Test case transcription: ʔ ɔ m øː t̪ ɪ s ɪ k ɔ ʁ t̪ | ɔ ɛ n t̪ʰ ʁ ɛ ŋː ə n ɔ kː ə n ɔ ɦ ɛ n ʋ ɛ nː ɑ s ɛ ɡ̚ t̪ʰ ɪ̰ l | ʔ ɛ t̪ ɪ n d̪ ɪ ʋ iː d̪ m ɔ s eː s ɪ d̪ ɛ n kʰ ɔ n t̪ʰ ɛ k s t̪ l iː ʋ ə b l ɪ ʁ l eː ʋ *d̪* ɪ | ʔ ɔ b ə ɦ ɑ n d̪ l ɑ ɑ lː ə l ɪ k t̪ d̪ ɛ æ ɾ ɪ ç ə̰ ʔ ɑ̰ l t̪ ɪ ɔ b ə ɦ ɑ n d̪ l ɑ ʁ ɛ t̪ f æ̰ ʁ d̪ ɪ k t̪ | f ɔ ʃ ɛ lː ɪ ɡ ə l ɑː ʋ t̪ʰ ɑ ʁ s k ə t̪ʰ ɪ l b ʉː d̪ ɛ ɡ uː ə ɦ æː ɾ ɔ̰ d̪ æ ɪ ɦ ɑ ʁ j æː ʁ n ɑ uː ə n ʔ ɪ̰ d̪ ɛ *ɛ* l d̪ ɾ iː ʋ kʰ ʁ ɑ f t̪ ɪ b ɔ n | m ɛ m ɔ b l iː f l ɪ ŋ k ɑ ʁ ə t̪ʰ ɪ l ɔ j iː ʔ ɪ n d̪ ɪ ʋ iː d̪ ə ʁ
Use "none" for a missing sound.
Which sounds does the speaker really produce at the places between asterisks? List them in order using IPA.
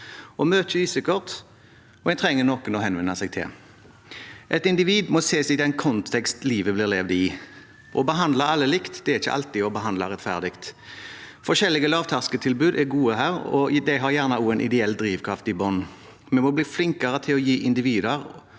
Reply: d̪, ɛ

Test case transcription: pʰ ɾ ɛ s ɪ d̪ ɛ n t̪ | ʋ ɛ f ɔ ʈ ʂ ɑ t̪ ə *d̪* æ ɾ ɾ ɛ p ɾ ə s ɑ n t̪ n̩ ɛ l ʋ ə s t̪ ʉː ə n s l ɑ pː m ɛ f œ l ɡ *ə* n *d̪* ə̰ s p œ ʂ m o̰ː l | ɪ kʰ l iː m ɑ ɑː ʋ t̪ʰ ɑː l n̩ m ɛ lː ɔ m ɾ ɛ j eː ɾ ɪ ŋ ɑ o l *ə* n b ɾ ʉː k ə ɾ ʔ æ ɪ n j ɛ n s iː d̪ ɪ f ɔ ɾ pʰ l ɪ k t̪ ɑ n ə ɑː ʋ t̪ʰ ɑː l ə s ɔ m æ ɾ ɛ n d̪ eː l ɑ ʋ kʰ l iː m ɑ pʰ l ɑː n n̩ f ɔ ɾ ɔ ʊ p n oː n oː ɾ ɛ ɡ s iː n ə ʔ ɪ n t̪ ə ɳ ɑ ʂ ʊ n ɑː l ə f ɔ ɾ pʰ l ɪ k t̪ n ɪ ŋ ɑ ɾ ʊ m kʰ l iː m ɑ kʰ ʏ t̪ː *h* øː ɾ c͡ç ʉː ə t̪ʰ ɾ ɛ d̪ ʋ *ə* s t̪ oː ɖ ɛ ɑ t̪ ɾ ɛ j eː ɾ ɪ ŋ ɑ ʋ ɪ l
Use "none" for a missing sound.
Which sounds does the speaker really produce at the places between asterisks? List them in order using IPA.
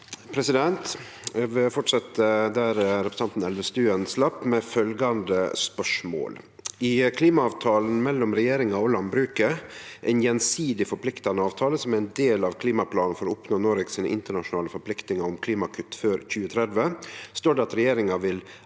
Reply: d̪, ɑ, d̪, ɑ, f, ə

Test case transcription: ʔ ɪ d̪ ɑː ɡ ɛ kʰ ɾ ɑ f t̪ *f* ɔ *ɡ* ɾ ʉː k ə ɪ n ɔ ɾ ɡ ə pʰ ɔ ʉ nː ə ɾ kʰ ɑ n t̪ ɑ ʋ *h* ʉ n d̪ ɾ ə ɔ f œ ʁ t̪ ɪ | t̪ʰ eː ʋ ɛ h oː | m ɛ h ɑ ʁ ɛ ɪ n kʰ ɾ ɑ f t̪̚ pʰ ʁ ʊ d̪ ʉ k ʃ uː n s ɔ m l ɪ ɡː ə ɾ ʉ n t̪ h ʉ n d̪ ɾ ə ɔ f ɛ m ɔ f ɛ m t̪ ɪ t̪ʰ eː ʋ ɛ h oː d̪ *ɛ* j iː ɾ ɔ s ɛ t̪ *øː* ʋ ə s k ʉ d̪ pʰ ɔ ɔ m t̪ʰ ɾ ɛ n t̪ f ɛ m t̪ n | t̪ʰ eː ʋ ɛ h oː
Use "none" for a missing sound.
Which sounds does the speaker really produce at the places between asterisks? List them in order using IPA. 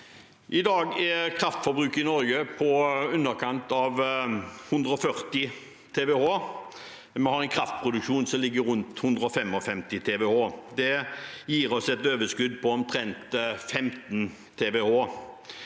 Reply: f, b, h, ɛ, øː

